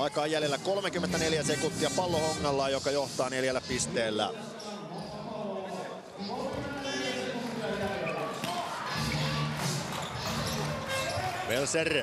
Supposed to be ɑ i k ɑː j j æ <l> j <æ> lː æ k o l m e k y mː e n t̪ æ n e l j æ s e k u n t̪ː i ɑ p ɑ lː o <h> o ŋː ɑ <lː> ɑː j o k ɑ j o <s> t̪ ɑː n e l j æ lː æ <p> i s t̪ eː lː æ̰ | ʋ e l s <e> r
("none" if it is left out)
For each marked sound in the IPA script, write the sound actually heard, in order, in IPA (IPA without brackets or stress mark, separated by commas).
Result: l, e, h, lː, h, p, e